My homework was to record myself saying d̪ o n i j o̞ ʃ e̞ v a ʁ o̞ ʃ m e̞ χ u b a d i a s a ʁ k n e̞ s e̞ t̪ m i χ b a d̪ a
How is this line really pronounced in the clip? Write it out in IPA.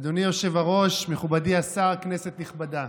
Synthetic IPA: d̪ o n i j o̞ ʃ e̞ v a ʁ o̞ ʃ m e̞ χ u b a d i a s a ʁ k n e̞ s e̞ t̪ n i χ b a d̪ a